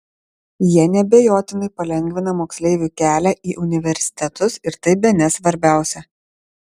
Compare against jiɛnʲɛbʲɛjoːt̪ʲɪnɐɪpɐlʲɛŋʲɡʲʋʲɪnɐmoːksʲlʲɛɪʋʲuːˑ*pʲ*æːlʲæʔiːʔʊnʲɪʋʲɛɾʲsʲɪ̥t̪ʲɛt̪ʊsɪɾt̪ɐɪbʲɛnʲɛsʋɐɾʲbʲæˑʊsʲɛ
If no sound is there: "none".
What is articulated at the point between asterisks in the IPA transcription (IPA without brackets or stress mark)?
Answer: kʲ